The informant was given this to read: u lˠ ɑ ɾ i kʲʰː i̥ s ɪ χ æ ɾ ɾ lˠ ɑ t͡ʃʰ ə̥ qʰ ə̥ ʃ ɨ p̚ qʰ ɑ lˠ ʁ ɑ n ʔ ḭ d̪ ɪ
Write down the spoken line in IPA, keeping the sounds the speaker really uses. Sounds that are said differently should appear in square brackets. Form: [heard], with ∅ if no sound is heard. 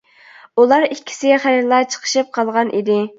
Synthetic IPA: u lˠ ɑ ɾ i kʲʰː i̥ s ɪ χ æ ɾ ɾ lˠ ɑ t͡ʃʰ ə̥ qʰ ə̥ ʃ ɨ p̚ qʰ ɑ lˠ ʁ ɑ n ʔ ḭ d̪ ɪ

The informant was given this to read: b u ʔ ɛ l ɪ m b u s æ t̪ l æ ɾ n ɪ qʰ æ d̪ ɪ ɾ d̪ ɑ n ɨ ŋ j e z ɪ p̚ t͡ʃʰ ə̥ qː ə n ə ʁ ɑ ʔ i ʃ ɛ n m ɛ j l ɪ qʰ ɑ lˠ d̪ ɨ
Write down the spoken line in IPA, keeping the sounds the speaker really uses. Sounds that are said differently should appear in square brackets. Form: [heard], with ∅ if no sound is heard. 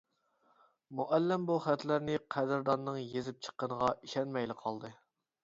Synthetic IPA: [m] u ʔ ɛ [lː] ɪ m b u [χ] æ t̪ l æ ɾ n ɪ qʰ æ d̪ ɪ ɾ d̪ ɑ [nː] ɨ ŋ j e z ɪ p̚ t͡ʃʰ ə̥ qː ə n ə ʁ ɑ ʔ i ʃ ɛ n m ɛ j l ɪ qʰ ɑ lˠ d̪ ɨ

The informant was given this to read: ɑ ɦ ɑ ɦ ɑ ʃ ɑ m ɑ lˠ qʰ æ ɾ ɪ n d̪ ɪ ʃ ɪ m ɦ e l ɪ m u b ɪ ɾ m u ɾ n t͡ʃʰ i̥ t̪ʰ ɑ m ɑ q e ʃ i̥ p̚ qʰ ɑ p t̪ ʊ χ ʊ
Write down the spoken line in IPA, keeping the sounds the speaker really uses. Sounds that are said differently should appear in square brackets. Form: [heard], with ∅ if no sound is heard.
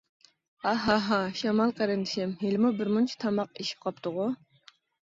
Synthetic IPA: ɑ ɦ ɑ ɦ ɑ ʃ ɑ m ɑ lˠ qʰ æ ɾ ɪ n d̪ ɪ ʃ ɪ m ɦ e l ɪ m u b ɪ ɾ m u [∅] n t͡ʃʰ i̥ t̪ʰ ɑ m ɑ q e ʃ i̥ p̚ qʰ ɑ p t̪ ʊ [ʁ] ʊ

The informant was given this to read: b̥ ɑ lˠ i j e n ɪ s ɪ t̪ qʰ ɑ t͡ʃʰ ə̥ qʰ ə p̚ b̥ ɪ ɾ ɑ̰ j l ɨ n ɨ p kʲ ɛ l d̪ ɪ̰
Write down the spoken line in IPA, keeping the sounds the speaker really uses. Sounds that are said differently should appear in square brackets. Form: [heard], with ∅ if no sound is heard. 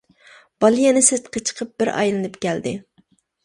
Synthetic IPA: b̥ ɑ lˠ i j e n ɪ s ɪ t̪ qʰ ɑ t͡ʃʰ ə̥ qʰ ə p̚ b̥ ɪ ɾ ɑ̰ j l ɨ n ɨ p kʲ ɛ l d̪ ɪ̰

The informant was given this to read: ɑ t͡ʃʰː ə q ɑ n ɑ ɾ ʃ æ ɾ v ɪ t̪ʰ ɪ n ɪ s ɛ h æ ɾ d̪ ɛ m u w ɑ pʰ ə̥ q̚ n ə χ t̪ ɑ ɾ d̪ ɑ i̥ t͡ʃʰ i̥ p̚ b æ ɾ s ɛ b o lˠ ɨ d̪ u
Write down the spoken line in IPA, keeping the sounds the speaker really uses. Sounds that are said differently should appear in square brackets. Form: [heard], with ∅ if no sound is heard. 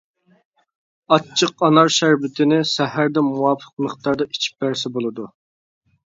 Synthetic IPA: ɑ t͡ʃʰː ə q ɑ n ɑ ɾ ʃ æ ɾ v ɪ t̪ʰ ɪ n ɪ s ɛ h æ ɾ d̪ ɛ m u w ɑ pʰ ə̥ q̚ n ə χ t̪ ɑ ɾ d̪ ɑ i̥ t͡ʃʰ i̥ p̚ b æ ɾ s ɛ b o lˠ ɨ d̪ u

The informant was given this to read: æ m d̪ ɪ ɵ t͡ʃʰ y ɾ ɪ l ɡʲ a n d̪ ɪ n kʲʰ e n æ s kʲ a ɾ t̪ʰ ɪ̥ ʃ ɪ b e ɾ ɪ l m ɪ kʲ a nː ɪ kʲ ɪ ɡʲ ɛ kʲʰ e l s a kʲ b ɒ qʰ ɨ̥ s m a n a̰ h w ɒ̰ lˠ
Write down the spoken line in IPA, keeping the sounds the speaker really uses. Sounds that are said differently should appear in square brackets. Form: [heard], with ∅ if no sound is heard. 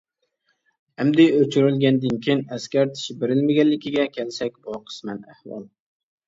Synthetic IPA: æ m d̪ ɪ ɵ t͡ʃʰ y ɾ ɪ l ɡʲ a n d̪ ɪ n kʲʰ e n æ s kʲ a ɾ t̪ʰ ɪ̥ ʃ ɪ b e ɾ ɪ l m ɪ [ɡʲ] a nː ɪ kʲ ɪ ɡʲ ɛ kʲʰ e l s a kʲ b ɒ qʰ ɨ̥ s m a n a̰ h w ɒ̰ lˠ

